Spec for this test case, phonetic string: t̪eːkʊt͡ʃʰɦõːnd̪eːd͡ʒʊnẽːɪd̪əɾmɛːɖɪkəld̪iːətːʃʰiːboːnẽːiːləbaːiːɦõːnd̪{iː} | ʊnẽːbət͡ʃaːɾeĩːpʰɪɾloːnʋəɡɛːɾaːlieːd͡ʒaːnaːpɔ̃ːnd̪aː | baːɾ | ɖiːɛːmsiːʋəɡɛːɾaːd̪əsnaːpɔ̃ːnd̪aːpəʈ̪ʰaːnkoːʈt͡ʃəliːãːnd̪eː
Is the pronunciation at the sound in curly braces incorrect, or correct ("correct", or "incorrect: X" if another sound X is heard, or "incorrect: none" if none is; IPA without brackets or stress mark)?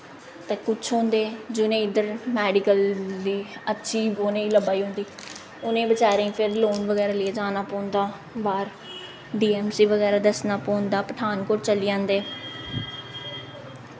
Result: correct